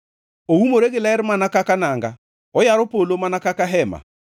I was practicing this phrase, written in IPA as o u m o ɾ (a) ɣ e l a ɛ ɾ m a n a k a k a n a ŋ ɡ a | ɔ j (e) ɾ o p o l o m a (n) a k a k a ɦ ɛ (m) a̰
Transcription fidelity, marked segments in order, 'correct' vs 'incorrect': incorrect: e, incorrect: a, correct, correct

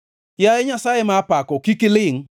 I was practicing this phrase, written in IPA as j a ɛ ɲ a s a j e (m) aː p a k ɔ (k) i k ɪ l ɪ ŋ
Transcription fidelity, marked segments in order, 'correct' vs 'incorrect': correct, correct

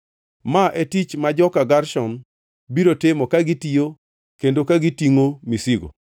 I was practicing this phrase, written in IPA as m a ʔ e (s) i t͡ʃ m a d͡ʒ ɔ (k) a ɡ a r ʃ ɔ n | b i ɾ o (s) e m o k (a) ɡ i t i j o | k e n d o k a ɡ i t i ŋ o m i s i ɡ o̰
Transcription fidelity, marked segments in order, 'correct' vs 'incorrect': incorrect: t, correct, incorrect: t, correct

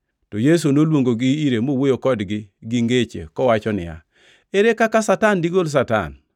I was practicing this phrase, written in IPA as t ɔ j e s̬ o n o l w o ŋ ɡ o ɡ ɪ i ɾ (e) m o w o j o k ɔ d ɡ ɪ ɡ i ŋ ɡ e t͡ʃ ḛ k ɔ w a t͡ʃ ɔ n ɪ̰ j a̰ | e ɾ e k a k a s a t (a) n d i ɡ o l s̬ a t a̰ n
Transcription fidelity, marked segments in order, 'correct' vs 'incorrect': correct, correct

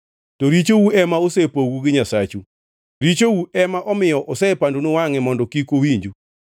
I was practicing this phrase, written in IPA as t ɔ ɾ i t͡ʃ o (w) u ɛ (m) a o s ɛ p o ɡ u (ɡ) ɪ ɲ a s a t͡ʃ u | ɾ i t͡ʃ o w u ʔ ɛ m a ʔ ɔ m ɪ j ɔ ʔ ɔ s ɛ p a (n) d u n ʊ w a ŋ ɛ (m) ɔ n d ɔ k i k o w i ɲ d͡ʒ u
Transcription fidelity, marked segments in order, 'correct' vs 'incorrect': correct, correct, correct, correct, correct

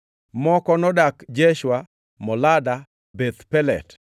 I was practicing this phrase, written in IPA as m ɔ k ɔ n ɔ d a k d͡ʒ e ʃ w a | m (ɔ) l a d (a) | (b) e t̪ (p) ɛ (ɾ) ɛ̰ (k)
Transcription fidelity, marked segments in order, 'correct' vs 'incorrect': correct, correct, correct, correct, incorrect: l, incorrect: t

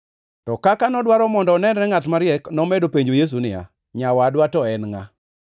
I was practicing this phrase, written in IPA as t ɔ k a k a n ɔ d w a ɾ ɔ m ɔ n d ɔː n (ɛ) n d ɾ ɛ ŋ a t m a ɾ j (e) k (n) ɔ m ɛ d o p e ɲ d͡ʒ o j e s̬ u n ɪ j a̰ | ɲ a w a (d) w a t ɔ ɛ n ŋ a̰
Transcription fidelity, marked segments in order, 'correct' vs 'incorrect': correct, incorrect: ɛ, correct, correct

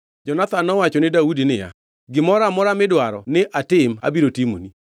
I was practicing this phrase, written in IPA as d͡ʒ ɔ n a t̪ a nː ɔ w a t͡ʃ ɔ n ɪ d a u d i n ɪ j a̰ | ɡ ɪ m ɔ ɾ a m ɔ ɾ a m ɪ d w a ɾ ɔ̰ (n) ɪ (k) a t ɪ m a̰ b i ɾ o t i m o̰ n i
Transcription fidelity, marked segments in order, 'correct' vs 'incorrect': correct, incorrect: ʔ

